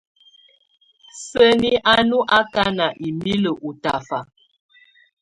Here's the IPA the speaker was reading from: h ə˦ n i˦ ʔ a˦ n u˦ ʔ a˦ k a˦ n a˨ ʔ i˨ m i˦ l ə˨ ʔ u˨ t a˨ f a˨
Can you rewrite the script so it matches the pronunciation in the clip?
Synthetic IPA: s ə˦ n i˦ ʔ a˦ n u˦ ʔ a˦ k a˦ n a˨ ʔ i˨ m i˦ l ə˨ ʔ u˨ t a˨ f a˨

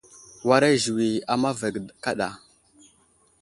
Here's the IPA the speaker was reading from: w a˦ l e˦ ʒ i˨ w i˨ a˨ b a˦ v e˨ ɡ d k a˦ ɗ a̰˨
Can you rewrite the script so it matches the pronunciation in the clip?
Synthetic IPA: w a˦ ɾ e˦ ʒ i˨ w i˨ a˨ m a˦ v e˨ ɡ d k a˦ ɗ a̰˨

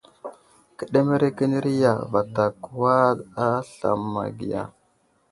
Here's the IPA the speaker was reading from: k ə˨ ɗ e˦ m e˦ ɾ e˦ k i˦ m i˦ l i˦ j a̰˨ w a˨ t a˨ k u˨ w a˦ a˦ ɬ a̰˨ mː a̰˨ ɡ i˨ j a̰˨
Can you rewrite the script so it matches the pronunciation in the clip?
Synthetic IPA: k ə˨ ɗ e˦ m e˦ ɾ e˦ k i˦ n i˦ ɾ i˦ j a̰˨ v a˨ t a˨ k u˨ w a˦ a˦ ɬ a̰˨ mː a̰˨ ɡ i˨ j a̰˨

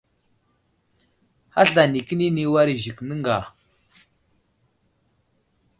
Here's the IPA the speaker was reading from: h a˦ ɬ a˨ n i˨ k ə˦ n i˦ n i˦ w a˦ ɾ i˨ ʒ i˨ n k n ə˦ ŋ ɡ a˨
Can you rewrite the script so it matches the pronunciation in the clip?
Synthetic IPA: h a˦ ɬ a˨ n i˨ k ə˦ n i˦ n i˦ w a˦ ɾ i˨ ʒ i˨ k n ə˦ ŋ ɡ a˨

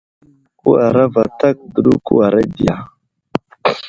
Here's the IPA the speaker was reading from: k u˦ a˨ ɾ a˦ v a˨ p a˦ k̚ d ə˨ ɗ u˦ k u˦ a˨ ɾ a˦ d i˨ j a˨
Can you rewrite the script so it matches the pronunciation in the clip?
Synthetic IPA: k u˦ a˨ ɾ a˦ v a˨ t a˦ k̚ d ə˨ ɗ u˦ k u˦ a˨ ɾ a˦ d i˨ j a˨

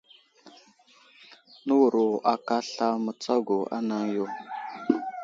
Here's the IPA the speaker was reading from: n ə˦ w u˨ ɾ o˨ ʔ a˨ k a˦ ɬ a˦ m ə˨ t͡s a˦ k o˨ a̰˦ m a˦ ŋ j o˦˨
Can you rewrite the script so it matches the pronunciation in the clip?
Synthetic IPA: n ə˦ w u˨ ɾ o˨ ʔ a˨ k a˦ ɬ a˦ m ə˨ t͡s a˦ ɡ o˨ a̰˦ n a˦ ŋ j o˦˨

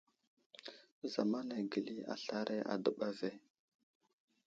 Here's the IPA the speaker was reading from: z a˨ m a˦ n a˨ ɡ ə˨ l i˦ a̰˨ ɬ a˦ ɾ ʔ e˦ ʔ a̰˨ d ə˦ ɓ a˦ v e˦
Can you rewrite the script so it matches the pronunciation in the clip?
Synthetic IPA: z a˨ m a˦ n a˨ ɡ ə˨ l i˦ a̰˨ ɬ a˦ ɾ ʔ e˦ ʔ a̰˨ d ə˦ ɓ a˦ v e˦

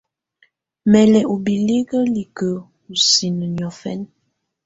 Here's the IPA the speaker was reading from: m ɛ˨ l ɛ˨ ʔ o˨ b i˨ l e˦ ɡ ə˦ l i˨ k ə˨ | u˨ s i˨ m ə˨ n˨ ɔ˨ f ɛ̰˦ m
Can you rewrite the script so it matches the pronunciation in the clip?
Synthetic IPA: m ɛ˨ l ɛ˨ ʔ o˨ b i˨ l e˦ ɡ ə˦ l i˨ k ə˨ | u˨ s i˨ n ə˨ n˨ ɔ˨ f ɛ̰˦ n

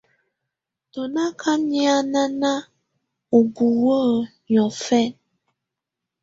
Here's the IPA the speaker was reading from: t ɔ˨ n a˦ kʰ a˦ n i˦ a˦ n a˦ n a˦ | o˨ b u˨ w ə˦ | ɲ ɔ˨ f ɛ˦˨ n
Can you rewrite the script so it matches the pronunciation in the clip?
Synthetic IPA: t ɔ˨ n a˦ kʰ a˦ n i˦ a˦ n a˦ n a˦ | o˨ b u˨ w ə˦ | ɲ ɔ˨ f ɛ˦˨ n

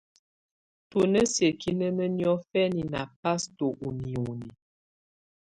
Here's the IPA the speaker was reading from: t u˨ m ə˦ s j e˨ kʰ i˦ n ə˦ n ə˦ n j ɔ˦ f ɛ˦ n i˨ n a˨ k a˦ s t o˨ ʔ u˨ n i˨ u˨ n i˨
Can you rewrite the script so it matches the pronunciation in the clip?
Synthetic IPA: t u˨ n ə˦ s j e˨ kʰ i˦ n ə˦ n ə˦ n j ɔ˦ f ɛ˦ n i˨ n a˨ p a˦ s t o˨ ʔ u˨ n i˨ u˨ n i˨

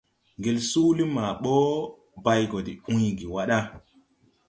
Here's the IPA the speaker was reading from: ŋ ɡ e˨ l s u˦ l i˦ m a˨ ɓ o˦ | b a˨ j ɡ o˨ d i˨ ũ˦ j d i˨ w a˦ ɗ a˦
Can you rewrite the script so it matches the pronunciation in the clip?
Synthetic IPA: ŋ ɡ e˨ l s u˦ l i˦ m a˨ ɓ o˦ | b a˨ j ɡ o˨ d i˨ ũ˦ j ɡ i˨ w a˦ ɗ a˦

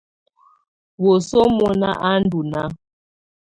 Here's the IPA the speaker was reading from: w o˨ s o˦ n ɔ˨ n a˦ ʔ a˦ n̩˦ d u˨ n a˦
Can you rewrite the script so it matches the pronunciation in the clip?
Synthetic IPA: w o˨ s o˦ m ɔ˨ n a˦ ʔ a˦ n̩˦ d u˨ n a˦

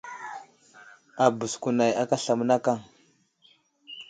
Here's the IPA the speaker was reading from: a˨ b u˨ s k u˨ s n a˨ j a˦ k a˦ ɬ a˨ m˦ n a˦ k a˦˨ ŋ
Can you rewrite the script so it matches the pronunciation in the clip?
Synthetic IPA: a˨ b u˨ s k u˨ n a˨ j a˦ k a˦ ɬ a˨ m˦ n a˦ k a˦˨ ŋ

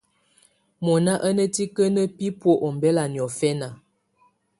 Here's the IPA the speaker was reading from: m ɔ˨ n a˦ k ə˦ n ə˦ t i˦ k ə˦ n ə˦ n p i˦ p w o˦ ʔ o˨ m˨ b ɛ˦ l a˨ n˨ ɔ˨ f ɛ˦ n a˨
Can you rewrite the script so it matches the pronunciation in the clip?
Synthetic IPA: m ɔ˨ n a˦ ʔ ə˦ n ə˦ t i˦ k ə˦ n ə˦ p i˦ p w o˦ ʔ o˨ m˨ b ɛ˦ l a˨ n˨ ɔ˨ f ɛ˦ n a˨

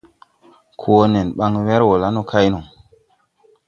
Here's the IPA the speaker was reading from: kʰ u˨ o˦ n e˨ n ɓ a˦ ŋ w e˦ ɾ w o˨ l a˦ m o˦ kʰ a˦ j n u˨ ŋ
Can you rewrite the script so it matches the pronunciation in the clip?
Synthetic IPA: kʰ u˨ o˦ n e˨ n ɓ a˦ ŋ w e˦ ɾ w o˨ l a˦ n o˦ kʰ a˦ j n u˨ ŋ

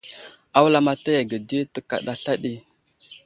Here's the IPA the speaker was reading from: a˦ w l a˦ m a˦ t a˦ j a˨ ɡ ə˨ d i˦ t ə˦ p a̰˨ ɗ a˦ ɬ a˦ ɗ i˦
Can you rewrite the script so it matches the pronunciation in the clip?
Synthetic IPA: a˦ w l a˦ m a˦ t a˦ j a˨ ɡ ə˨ d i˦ t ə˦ k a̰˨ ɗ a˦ ɬ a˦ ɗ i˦

